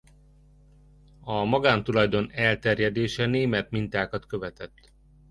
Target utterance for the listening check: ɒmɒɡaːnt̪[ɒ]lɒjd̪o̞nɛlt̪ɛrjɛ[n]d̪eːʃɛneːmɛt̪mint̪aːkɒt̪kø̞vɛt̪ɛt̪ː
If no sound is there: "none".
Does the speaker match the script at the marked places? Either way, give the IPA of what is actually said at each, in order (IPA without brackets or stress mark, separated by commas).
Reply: u, none